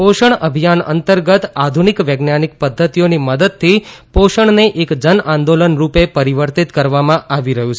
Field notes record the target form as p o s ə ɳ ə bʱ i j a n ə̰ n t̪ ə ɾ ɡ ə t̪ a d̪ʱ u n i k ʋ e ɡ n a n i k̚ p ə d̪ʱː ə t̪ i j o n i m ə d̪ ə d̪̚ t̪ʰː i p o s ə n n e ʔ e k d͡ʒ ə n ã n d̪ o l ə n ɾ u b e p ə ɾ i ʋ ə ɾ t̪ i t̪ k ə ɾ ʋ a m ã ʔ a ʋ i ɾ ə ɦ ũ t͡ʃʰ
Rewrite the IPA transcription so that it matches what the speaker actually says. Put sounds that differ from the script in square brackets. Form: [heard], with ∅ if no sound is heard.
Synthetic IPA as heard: p o [ʃ] ə ɳ ə bʱ i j a n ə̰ n t̪ ə ɾ ɡ ə t̪ a d̪ʱ u n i k ʋ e ɡ n a n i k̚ p ə d̪ʱː ə t̪ i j o n i m ə d̪ ə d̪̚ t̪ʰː i p o [ʃ] ə [ɳ] n e ʔ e k d͡ʒ ə n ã n d̪ o l ə n ɾ u [p] e p ə ɾ i ʋ ə ɾ t̪ i t̪ k ə ɾ ʋ a m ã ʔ a ʋ i ɾ ə ɦ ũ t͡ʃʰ